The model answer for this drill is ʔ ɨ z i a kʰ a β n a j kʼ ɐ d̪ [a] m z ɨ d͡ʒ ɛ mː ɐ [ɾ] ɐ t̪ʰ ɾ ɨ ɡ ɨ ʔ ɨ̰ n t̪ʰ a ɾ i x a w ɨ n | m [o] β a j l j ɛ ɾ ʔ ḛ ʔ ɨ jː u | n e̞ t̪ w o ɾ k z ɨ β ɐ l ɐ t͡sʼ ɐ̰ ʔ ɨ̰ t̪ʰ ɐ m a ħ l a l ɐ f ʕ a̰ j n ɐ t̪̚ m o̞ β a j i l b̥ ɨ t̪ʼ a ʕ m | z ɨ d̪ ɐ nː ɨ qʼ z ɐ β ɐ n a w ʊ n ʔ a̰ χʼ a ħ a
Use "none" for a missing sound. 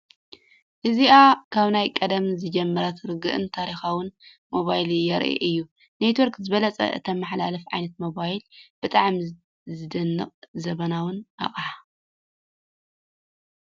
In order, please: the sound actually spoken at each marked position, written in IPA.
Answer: ɐ, ɾ, o

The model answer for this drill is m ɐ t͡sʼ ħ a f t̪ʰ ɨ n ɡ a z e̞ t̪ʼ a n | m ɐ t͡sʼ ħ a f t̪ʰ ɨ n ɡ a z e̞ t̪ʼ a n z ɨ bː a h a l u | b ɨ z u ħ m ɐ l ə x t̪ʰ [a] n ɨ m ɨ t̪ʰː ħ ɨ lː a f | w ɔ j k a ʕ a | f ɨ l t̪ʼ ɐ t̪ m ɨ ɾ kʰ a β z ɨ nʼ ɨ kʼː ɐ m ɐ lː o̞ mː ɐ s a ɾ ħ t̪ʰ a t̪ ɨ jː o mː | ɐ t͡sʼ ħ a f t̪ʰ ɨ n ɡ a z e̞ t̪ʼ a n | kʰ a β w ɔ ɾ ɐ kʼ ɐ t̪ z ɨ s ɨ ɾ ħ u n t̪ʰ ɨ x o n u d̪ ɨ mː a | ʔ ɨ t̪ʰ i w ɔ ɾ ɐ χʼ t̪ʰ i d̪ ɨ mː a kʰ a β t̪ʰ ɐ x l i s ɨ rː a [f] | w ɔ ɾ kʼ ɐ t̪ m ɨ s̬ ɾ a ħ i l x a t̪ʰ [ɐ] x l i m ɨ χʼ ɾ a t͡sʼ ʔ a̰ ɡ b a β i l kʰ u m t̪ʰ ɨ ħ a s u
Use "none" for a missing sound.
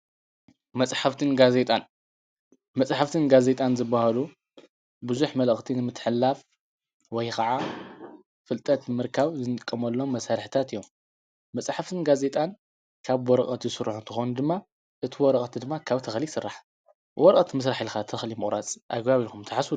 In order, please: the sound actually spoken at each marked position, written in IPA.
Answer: i, ħ, ɐ

